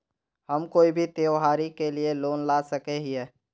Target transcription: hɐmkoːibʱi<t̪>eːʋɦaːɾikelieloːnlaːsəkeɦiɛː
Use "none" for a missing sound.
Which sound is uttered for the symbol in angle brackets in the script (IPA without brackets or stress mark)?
t̪